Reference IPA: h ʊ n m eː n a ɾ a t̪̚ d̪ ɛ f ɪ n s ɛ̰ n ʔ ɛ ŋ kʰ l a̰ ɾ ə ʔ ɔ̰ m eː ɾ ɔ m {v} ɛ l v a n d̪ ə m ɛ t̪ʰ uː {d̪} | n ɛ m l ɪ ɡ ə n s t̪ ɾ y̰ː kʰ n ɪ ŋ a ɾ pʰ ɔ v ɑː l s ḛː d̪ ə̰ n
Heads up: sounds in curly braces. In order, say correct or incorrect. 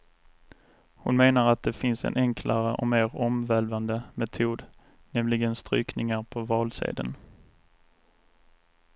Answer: correct, correct

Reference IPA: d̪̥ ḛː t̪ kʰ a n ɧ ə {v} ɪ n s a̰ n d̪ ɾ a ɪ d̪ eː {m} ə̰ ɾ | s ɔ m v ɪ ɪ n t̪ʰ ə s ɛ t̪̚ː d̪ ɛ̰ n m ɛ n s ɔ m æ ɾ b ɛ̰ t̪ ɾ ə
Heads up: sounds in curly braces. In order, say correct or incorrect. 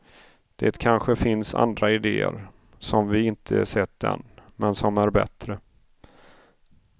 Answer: incorrect, incorrect

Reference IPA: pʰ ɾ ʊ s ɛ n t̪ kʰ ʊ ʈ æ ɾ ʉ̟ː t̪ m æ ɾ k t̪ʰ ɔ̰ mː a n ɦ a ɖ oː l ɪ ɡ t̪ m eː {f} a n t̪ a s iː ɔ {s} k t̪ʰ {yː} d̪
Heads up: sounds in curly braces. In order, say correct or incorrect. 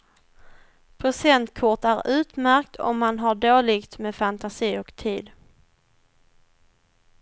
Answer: correct, incorrect, incorrect

